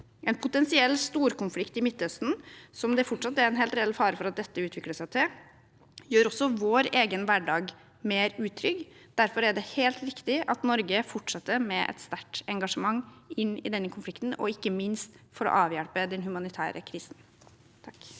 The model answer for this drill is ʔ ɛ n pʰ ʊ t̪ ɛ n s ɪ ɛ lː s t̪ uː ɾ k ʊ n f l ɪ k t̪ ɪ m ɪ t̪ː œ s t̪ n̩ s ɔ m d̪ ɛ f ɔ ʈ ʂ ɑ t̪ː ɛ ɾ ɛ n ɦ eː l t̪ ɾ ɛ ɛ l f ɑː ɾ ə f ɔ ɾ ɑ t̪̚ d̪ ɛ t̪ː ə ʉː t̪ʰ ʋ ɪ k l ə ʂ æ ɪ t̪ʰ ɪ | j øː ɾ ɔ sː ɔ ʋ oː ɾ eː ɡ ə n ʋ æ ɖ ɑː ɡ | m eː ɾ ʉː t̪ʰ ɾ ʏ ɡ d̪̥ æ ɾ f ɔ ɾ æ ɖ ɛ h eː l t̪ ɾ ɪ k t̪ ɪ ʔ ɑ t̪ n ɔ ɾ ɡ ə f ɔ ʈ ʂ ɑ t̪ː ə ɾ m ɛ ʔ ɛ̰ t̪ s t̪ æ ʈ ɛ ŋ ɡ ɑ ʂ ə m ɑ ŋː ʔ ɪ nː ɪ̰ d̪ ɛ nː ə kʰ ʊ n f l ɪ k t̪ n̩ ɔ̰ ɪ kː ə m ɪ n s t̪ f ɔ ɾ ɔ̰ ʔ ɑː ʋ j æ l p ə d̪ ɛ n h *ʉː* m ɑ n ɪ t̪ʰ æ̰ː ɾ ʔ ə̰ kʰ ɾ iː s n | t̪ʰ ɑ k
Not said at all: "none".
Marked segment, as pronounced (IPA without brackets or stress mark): ʉ